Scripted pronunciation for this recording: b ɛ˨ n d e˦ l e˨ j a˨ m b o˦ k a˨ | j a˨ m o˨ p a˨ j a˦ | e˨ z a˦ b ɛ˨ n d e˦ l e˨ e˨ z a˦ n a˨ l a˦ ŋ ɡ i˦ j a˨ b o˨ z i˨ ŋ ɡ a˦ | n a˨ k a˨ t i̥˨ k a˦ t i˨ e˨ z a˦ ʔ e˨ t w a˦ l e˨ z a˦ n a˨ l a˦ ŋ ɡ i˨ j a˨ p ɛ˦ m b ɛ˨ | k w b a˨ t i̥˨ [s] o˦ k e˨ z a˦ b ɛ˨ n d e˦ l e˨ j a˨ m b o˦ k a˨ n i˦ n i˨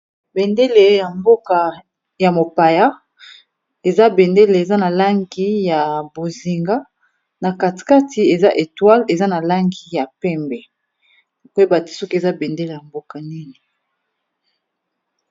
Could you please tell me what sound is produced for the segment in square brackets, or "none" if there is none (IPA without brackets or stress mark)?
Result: s